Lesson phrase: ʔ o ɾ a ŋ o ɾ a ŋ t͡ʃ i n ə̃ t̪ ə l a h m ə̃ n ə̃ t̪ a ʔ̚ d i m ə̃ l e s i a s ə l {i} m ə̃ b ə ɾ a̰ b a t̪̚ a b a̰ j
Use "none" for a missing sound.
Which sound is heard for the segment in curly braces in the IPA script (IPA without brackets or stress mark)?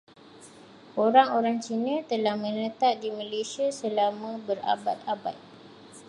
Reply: a